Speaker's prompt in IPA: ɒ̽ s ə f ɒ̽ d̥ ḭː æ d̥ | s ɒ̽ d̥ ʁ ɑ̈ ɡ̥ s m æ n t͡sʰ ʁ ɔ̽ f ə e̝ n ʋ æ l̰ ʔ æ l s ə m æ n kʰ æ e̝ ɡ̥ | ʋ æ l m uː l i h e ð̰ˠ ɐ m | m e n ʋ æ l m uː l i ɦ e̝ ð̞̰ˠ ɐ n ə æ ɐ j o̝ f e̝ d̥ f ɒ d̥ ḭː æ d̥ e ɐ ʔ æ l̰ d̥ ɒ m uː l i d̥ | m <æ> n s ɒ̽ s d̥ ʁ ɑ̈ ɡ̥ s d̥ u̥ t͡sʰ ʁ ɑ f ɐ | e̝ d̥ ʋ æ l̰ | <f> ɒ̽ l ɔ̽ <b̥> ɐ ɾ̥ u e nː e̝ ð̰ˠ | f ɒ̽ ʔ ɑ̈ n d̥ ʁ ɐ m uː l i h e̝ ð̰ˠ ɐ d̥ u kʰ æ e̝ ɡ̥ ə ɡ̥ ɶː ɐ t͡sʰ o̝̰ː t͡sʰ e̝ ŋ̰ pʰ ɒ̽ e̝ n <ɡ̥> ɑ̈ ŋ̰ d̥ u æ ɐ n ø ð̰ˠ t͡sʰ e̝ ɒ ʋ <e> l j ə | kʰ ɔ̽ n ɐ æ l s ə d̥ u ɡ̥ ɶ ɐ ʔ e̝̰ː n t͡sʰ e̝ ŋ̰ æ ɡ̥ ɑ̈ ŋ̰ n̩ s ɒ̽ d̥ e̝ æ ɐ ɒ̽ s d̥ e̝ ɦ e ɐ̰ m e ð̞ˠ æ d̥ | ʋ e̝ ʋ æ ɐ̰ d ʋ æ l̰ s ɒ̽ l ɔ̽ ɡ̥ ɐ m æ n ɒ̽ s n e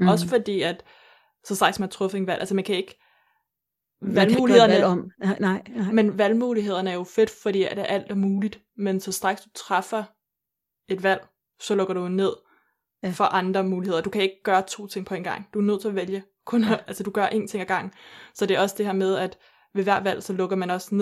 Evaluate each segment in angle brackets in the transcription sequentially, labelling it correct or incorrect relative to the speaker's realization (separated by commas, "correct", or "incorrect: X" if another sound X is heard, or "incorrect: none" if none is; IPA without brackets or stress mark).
incorrect: e, incorrect: s, incorrect: ɡ̥, correct, correct